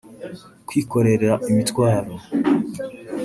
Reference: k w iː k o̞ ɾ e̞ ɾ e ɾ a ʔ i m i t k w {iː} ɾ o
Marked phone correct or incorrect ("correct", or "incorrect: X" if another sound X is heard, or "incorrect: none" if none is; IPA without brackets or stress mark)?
incorrect: aː